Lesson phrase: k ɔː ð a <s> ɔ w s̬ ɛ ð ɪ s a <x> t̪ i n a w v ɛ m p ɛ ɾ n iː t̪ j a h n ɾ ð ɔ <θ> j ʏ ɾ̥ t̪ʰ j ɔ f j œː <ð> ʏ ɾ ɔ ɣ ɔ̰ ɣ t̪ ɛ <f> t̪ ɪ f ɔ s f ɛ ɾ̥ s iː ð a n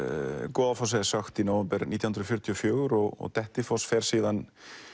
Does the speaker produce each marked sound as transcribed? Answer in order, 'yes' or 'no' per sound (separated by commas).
no, yes, no, no, no